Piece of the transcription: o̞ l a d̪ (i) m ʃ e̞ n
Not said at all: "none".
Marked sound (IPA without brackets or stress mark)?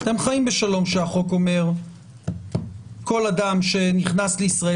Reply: a